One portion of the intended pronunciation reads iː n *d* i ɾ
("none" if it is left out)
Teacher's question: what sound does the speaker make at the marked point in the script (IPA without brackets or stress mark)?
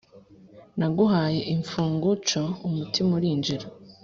d͡ʒ